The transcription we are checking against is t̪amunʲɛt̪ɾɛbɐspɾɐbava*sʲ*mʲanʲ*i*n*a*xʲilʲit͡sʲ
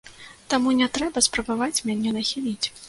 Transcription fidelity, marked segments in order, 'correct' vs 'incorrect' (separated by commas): incorrect, incorrect, incorrect